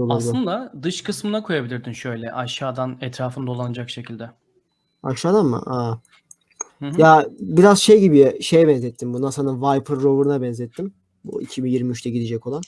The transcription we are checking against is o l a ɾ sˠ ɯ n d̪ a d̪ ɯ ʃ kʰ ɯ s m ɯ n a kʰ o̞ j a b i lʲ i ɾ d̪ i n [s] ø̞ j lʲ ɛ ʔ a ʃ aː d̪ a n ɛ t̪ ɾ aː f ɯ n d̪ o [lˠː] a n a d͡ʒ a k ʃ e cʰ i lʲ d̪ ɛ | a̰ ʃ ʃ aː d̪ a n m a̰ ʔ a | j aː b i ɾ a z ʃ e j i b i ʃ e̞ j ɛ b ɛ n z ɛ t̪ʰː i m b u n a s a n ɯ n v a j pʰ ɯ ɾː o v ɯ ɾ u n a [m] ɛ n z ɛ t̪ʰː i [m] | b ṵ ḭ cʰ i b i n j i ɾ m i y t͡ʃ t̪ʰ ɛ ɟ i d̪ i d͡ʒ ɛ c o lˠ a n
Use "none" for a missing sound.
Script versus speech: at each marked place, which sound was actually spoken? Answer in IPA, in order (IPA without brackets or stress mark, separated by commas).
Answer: ʃ, lˠ, b, m